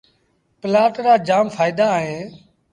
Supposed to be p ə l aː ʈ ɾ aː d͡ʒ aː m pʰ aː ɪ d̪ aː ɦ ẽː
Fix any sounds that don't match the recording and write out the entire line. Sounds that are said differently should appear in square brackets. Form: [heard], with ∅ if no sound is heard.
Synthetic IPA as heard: p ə l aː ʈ ɾ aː d͡ʒ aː m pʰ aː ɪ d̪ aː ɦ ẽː